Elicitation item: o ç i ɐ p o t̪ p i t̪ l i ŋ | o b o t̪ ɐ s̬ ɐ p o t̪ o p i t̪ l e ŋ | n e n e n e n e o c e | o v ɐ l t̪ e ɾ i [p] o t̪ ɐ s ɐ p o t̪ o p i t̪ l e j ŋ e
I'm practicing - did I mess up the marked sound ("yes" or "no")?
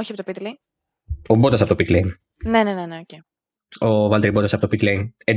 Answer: yes